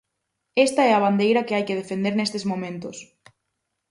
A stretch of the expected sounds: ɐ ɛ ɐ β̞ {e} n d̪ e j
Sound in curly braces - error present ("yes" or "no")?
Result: yes